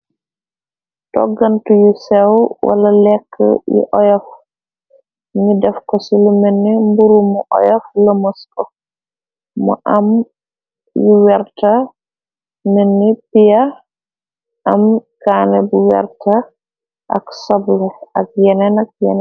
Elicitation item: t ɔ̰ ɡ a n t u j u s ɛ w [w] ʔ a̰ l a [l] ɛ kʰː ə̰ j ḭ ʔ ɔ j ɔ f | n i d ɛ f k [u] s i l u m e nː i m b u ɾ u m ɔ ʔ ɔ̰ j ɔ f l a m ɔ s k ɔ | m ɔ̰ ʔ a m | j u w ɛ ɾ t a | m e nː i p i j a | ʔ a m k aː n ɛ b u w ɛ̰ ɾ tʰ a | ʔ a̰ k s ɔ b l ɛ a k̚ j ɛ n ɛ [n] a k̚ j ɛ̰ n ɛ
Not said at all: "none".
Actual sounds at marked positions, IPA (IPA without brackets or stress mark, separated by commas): w, l, ɔ, n